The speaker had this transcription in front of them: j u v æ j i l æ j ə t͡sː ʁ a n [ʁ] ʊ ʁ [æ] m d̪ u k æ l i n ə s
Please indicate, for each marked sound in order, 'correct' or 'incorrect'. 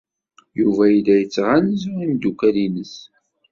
incorrect, incorrect

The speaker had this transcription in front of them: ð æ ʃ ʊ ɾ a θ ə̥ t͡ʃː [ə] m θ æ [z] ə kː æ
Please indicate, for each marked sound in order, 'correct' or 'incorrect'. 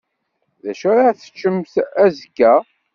correct, correct

